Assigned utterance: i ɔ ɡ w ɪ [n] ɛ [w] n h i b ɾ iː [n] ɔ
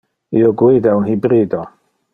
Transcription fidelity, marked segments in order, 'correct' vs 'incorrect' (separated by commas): incorrect, correct, incorrect